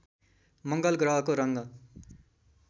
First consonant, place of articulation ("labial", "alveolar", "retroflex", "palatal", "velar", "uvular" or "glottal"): labial